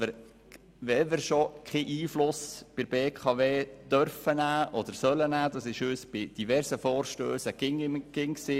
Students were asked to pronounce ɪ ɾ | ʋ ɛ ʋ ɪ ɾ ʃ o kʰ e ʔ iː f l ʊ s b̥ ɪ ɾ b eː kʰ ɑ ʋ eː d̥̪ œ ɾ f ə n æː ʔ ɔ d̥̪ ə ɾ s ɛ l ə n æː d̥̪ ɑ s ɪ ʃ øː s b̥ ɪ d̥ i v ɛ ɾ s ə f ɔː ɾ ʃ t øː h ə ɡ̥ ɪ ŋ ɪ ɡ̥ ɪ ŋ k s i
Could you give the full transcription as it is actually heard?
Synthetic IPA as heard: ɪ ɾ | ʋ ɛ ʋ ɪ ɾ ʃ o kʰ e ʔ iː f l ʊ s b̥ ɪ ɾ b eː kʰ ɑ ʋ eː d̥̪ œ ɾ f ə n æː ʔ ɔ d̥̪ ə ɾ s œ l ə n æː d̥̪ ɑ s ɪ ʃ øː s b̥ ɪ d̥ i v ɛ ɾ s ə f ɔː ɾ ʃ t øː s ə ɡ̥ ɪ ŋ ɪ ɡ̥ ɪ ŋ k s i